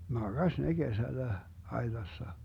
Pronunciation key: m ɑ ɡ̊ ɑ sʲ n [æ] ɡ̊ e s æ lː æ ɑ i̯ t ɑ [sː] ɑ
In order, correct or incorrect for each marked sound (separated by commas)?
incorrect, correct